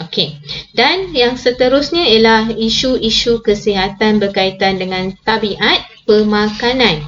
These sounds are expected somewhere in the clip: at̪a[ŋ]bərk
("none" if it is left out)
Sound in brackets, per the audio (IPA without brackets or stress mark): n